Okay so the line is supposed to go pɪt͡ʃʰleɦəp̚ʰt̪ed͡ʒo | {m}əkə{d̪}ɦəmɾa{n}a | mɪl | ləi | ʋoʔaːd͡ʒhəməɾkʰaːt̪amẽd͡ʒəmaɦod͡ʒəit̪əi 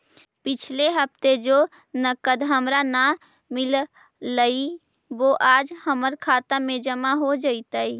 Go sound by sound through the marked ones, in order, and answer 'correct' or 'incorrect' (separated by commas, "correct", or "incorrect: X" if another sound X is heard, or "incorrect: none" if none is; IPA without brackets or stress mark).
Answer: incorrect: n, correct, correct